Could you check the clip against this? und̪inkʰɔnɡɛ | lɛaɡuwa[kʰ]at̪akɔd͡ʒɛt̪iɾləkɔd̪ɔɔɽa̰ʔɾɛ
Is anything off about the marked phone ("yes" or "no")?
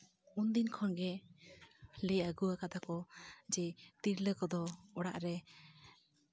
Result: yes